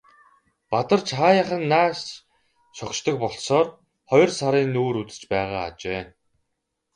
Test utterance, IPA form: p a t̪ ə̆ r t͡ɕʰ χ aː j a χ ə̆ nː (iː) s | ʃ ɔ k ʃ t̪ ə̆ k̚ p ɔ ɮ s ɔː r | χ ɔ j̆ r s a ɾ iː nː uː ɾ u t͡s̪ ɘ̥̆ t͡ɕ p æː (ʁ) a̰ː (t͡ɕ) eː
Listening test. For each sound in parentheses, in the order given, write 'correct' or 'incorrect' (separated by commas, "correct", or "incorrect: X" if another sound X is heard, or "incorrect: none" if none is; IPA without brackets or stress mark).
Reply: incorrect: aː, correct, correct